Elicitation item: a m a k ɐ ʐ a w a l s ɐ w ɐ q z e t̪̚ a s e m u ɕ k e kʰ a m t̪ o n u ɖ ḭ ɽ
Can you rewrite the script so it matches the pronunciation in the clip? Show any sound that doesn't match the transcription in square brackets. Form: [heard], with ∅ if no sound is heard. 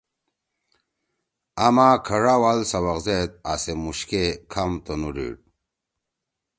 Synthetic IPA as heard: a m a [kʰ] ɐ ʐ a w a l s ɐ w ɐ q z e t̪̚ a s e m u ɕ k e kʰ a m t̪ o n u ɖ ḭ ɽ